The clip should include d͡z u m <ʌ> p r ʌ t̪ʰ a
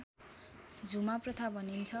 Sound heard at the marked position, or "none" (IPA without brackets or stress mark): a